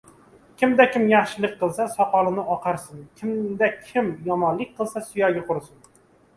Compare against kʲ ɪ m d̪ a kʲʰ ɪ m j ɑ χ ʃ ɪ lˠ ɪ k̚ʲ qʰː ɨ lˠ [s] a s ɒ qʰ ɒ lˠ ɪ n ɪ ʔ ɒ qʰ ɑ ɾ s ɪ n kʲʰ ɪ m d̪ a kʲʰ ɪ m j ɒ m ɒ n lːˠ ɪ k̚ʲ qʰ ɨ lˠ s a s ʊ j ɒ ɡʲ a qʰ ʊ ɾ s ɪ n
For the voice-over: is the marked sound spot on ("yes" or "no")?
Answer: yes